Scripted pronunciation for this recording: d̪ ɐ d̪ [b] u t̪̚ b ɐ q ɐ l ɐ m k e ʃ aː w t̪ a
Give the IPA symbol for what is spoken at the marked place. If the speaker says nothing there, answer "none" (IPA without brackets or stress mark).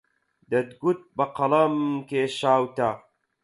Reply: ɡ